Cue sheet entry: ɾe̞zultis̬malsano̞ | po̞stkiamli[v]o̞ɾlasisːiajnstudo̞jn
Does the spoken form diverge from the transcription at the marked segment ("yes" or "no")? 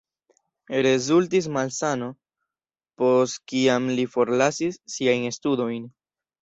yes